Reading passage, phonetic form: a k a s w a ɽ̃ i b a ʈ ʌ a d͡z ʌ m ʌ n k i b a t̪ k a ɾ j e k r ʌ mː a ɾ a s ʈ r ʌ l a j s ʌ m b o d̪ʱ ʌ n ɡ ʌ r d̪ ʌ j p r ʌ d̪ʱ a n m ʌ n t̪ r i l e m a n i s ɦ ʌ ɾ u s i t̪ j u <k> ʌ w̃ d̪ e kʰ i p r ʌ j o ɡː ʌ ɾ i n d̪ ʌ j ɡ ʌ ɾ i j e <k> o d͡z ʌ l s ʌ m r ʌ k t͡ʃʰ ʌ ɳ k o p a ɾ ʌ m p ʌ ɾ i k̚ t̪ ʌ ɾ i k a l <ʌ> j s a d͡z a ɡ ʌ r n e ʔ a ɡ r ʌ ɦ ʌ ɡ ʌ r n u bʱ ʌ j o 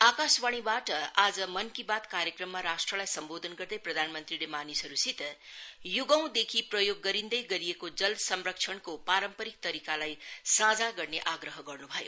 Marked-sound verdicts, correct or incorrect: incorrect: ɡ, correct, incorrect: a

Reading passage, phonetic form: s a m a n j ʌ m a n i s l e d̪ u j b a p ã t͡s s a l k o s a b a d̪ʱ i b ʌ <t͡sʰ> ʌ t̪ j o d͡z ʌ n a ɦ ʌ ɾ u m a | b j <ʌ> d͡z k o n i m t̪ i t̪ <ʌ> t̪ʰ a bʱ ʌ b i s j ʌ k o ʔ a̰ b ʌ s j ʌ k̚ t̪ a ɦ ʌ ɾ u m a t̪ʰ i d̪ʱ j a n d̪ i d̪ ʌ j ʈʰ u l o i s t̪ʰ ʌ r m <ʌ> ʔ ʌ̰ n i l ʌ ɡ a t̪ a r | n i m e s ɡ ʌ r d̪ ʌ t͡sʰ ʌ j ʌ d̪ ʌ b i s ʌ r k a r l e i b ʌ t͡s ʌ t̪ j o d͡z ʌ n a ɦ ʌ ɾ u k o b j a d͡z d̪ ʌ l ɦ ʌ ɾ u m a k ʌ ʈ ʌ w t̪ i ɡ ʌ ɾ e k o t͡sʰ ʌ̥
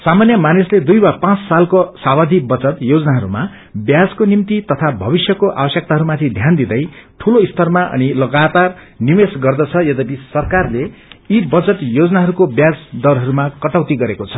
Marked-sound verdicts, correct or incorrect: incorrect: t͡s, incorrect: a, correct, incorrect: a

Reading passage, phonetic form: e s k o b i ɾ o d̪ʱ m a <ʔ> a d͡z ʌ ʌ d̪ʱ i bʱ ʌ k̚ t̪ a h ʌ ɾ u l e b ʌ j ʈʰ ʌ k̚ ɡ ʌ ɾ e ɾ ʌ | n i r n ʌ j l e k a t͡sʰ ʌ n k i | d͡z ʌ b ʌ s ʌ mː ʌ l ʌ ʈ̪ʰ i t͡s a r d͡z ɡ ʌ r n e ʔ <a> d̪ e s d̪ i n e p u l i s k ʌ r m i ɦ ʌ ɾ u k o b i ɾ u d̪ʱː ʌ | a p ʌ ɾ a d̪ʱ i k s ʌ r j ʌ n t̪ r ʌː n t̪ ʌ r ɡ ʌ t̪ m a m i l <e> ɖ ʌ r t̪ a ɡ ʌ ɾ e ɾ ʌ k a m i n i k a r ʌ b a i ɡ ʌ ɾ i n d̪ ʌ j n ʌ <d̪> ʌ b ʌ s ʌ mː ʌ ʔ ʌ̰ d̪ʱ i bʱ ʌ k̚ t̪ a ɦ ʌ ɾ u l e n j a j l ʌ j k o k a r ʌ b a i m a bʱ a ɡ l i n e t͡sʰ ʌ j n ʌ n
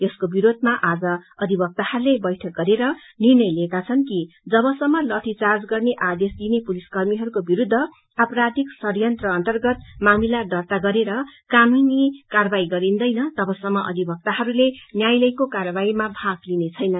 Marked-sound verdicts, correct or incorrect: correct, correct, incorrect: a, incorrect: t̪

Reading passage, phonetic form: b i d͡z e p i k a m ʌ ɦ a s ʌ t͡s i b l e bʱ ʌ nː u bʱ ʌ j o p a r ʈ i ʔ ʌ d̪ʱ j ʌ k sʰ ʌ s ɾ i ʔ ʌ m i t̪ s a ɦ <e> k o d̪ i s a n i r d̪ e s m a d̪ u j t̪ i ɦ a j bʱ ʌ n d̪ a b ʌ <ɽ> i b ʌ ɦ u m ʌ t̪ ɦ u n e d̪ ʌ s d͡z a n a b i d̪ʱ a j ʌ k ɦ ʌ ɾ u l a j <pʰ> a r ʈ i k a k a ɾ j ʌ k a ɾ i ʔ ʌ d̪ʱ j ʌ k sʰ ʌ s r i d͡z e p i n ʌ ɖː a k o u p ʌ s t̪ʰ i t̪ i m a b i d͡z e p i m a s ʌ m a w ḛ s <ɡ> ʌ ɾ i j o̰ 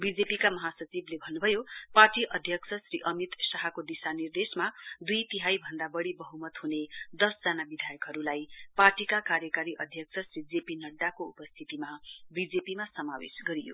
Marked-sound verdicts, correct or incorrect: incorrect: a, correct, incorrect: p, correct

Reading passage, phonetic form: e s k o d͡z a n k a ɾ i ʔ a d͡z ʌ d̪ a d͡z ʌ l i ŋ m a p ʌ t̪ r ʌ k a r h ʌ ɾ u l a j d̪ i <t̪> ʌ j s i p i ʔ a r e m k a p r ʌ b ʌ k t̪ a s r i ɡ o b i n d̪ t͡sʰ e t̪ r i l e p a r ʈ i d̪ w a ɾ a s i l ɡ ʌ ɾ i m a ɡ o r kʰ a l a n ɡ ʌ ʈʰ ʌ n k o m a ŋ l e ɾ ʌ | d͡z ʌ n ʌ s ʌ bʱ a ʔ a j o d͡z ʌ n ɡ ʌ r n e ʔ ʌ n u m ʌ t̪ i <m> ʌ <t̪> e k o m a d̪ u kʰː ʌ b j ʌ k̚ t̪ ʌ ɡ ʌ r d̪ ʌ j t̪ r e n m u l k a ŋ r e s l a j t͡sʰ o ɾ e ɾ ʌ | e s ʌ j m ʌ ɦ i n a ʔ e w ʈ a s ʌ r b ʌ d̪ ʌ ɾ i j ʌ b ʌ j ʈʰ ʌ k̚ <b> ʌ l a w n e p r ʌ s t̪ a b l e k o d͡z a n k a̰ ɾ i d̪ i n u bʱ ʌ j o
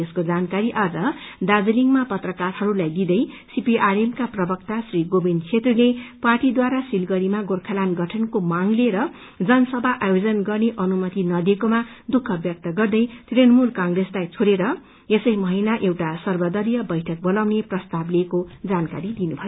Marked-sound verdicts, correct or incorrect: incorrect: d̪, incorrect: n, incorrect: d̪, correct

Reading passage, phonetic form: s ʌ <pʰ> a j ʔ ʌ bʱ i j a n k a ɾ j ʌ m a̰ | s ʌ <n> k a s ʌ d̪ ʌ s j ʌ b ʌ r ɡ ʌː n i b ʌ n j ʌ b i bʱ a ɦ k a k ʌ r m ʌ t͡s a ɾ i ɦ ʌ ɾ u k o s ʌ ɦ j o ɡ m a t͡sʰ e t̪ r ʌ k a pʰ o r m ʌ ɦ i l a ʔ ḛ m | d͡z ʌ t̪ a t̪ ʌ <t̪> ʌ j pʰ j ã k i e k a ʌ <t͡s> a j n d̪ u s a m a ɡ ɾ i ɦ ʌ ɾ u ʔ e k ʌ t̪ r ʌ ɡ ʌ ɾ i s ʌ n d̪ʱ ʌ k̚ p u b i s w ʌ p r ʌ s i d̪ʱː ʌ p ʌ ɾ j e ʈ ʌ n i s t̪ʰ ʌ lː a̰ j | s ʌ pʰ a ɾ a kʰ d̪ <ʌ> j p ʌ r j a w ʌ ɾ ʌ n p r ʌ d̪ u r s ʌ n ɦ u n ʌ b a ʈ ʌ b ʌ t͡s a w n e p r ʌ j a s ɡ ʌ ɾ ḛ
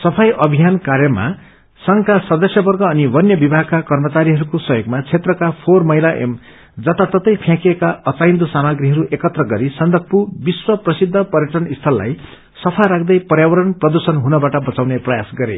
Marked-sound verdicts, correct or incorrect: correct, incorrect: ŋ, correct, correct, correct

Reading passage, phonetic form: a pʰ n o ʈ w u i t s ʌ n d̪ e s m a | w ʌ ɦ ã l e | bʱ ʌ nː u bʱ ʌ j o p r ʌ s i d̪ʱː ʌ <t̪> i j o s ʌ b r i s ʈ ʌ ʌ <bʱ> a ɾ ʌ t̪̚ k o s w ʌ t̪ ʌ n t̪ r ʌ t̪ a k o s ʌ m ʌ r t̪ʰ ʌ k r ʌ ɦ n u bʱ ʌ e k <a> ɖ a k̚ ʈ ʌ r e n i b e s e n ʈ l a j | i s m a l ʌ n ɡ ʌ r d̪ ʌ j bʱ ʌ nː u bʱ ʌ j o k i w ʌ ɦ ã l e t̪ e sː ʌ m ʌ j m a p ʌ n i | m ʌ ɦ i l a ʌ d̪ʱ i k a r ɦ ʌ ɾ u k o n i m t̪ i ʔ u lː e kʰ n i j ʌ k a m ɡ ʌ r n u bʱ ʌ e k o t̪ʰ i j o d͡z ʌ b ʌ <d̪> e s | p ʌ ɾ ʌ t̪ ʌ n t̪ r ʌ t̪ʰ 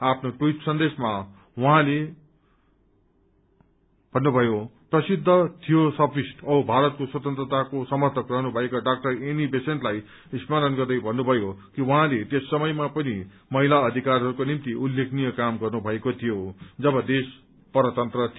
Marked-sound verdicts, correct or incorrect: incorrect: t̪ʰ, correct, correct, correct

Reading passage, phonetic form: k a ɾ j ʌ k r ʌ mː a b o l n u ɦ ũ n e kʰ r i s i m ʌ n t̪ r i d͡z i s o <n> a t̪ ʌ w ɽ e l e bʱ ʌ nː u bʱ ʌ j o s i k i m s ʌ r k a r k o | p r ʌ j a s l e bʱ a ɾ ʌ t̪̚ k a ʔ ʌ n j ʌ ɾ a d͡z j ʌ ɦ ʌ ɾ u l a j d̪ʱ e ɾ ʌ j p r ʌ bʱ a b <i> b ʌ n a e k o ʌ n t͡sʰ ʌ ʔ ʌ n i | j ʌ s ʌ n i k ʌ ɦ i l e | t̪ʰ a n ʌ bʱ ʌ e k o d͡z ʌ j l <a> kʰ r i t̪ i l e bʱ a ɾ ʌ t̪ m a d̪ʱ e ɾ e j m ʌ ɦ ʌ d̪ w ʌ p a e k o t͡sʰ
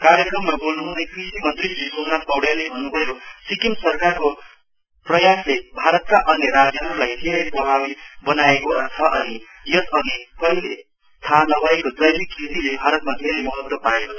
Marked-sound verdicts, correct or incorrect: correct, correct, incorrect: i

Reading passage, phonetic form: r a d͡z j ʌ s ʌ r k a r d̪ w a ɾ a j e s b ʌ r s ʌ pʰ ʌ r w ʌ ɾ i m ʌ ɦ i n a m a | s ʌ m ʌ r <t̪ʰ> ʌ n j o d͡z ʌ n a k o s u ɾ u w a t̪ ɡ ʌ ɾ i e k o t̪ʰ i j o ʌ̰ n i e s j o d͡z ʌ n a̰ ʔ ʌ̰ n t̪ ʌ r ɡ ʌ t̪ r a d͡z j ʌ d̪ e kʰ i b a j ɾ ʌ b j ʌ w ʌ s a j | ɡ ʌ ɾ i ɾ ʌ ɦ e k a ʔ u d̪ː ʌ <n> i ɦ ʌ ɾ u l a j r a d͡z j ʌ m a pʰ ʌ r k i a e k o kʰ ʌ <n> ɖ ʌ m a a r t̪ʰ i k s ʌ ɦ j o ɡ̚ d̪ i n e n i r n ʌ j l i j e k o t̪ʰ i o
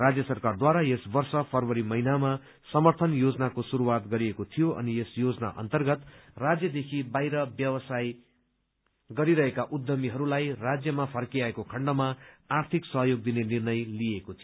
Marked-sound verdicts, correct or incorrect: correct, incorrect: m, incorrect: ɳ

